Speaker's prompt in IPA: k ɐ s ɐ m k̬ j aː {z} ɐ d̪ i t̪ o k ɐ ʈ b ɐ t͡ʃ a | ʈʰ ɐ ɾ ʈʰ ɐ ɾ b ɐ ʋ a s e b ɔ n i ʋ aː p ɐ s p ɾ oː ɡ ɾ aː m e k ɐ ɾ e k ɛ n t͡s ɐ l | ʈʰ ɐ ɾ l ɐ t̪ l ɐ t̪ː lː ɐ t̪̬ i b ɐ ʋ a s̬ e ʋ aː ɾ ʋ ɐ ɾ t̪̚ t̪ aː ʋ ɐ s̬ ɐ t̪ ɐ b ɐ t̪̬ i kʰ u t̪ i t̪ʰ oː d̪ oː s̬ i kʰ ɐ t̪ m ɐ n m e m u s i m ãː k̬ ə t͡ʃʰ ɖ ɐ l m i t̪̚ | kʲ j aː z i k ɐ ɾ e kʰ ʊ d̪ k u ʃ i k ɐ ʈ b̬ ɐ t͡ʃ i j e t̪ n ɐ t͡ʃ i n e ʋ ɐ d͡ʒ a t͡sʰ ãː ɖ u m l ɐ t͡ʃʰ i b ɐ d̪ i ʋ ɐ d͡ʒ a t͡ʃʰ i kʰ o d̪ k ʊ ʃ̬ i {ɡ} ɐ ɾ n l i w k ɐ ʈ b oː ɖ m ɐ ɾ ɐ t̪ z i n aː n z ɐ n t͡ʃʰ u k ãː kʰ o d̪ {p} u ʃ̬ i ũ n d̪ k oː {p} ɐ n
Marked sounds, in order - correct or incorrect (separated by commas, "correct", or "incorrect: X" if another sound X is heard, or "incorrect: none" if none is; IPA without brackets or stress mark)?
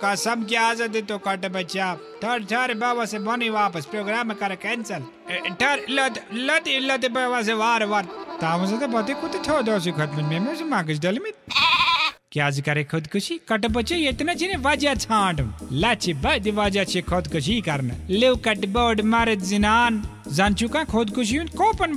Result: correct, incorrect: k, incorrect: k, correct